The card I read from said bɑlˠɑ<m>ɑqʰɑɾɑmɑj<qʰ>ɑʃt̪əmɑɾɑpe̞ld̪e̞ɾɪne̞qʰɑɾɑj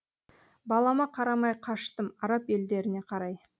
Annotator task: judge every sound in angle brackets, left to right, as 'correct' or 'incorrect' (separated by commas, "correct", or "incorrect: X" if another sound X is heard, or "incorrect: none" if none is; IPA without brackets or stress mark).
correct, correct